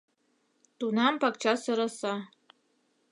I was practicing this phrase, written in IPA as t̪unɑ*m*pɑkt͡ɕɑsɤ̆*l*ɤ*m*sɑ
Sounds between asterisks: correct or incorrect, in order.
correct, incorrect: ɾ, incorrect: none

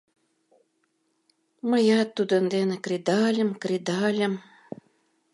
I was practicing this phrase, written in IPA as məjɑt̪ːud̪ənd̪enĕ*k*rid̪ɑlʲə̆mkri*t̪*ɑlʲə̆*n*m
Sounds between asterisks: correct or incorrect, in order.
correct, incorrect: d̪, incorrect: none

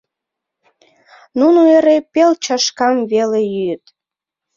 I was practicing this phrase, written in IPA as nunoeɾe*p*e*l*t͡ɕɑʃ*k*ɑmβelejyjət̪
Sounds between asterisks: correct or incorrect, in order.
correct, correct, correct

